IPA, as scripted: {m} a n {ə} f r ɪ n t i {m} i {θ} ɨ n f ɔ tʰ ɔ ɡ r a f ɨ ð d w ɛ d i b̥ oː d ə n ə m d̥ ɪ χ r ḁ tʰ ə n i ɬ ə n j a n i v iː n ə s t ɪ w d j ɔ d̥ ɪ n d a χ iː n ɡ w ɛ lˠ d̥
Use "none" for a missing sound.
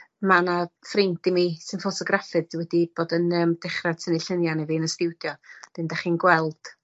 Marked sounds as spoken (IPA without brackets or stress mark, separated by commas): m, a, m, s